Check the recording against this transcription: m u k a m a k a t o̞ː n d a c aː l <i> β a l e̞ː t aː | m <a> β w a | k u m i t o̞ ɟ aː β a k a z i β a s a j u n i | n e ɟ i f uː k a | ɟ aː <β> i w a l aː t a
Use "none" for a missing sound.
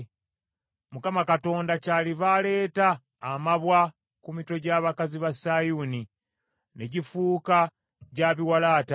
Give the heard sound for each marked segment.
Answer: i, a, β

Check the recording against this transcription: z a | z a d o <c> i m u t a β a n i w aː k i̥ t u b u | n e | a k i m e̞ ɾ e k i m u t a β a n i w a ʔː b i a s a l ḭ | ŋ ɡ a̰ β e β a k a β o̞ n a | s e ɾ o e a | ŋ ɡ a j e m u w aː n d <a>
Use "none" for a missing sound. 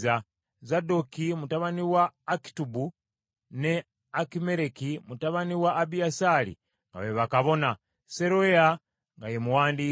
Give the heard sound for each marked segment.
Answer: k, i

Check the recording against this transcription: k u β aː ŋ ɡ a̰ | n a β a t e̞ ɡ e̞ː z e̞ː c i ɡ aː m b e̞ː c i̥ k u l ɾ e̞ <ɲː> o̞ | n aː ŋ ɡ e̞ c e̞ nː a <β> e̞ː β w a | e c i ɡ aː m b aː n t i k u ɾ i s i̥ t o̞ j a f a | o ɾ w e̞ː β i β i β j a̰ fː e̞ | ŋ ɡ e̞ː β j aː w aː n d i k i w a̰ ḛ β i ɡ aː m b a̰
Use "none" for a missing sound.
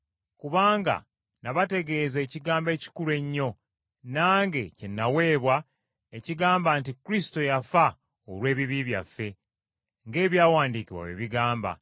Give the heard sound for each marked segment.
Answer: ɲː, w

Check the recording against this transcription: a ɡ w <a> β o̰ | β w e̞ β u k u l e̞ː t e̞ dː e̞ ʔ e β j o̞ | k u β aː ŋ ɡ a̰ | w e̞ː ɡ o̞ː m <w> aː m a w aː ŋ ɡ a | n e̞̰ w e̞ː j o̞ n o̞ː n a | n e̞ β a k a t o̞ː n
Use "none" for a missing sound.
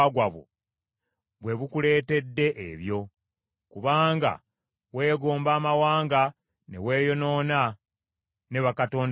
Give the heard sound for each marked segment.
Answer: a, b

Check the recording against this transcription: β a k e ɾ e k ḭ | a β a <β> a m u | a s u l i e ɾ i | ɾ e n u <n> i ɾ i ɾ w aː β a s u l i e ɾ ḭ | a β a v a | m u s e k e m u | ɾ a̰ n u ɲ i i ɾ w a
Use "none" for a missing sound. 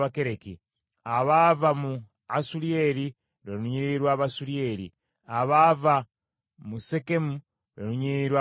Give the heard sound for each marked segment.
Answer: v, ɲ

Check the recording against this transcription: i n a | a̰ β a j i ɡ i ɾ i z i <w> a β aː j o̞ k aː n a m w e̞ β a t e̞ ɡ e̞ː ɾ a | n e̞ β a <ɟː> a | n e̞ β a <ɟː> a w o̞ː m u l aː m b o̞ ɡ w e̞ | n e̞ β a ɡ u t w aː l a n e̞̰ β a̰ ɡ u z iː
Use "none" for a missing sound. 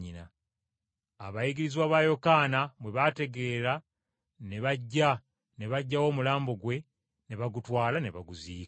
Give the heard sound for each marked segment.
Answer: w, ɟː, ɟː

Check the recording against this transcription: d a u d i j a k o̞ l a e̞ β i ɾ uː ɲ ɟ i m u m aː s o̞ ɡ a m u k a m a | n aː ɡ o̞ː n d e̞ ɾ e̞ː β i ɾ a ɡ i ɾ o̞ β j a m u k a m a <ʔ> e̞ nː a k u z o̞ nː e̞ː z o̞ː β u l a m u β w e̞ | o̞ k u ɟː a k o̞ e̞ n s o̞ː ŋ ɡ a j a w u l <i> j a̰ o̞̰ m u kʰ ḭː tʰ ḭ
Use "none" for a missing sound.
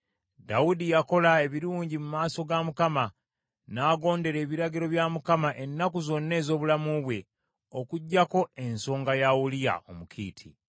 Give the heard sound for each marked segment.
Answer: ʔ, i

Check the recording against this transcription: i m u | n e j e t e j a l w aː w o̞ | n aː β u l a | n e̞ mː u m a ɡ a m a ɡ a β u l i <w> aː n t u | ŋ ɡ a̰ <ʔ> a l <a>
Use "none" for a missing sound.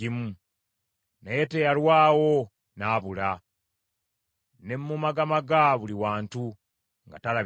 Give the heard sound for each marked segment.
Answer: w, t, a

